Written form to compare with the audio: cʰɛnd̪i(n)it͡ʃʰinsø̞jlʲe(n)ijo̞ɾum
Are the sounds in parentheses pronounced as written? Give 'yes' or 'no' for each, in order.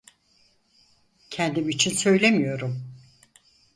no, no

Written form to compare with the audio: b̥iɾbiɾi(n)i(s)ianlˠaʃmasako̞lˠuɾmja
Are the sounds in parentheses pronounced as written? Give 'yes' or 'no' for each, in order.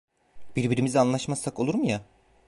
no, no

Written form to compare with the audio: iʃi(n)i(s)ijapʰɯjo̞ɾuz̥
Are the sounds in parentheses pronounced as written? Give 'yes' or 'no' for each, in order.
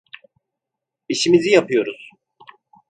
no, no

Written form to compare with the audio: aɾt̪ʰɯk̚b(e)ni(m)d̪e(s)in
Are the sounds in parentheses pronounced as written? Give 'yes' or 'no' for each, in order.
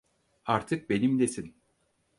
yes, yes, yes

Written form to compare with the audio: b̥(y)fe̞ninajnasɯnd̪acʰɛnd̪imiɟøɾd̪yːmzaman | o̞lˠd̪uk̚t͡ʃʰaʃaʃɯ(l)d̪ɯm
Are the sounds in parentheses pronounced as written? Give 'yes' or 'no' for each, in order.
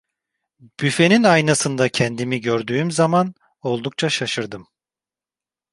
yes, no

